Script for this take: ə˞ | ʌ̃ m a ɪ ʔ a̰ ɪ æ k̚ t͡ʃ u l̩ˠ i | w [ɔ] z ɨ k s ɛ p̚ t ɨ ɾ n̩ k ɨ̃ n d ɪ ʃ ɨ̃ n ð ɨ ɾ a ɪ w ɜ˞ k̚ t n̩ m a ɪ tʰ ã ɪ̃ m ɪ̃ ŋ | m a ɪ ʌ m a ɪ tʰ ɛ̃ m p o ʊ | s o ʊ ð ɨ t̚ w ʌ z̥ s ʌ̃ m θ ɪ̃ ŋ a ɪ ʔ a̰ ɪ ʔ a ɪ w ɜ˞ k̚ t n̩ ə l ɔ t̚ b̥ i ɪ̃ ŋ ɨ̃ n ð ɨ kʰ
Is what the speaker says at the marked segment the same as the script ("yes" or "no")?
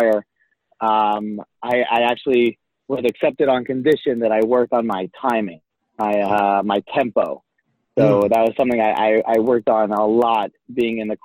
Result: no